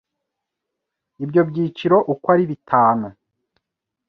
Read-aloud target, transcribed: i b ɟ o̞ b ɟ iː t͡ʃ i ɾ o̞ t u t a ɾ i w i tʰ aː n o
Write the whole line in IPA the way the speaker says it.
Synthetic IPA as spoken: i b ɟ o̞ b ɟ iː t͡ʃ i ɾ o̞ ʔ u k a ɾ i β i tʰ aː n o